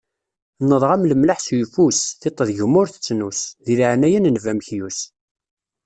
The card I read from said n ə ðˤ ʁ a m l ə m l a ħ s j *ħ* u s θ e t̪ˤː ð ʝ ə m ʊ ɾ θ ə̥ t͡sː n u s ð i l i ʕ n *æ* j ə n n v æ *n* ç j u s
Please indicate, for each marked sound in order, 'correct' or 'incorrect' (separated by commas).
incorrect, correct, incorrect